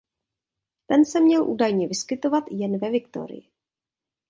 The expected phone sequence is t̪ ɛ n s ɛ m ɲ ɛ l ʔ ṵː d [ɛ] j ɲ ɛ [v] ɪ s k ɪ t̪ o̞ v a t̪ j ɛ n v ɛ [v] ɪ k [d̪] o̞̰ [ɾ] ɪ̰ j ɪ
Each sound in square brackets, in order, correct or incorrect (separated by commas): incorrect, correct, correct, incorrect, correct